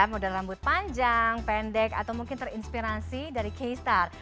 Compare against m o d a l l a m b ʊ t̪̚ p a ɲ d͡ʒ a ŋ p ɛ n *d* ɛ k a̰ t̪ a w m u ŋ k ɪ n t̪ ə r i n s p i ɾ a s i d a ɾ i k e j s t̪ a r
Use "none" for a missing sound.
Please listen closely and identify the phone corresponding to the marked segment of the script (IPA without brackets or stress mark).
d